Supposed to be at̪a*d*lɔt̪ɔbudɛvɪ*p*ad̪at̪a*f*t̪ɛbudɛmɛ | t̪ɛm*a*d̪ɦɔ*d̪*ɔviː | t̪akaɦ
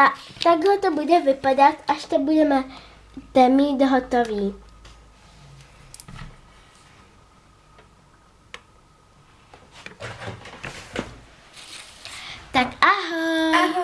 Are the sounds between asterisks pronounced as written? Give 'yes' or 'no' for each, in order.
no, yes, no, no, no

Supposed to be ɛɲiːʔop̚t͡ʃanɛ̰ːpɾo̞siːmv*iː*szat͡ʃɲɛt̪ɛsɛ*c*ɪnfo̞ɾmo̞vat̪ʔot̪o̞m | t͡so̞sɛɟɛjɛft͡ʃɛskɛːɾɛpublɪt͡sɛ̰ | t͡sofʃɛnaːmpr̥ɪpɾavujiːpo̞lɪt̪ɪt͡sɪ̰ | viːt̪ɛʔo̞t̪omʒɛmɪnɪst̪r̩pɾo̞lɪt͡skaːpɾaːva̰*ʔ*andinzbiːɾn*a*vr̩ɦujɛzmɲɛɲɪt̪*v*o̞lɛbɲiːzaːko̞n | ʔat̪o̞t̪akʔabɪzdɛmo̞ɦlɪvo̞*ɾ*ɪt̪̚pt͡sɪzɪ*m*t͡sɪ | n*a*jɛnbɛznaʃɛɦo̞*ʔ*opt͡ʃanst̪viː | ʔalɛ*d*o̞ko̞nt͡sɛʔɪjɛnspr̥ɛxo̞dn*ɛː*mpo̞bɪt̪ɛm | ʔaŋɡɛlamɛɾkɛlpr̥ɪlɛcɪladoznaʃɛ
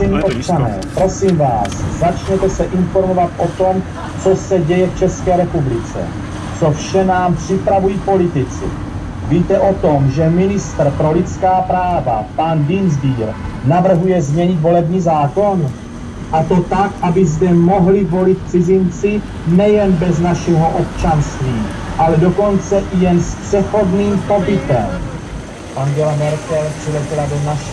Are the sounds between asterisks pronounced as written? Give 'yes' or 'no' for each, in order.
no, no, no, yes, yes, no, no, no, yes, yes, no

